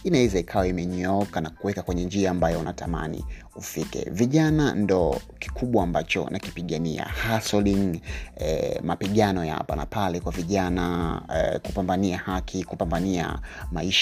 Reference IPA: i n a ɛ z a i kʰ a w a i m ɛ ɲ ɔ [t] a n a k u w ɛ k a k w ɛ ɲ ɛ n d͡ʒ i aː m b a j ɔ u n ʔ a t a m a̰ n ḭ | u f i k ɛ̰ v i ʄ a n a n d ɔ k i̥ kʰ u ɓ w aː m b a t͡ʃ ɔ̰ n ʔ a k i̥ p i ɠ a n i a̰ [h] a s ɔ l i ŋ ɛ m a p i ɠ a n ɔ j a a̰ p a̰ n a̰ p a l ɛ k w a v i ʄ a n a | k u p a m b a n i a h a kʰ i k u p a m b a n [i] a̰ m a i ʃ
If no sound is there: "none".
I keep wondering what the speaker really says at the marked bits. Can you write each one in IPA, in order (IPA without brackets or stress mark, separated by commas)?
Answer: k, h, i